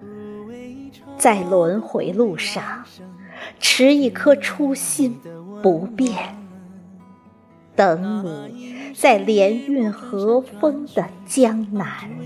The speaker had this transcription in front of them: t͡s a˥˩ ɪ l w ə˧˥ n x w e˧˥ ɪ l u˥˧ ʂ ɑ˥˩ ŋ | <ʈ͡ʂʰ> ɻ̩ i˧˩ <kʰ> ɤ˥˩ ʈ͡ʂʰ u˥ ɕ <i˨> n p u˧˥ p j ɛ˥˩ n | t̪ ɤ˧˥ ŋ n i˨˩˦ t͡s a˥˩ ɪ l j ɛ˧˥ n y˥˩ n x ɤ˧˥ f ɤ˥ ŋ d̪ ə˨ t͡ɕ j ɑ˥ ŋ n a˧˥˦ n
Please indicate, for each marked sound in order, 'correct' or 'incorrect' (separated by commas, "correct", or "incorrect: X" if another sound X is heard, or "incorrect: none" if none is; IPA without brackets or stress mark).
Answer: correct, correct, incorrect: i˥